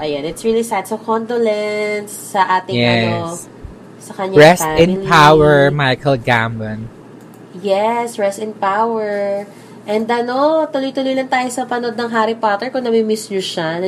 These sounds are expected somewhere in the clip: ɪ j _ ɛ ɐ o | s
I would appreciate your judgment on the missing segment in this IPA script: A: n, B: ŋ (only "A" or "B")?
B